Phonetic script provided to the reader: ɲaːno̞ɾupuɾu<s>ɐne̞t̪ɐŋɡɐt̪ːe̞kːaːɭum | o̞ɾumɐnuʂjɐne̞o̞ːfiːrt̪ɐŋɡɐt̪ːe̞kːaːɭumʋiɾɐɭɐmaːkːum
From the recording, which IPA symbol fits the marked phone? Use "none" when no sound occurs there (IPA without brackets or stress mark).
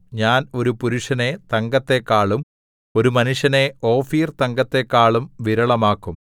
ʂ